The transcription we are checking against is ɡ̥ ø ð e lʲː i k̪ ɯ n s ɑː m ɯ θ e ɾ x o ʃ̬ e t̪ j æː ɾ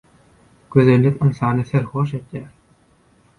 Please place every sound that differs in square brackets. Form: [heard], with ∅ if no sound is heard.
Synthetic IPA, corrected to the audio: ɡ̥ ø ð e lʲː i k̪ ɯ n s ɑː [n] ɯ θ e ɾ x o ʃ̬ e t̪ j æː ɾ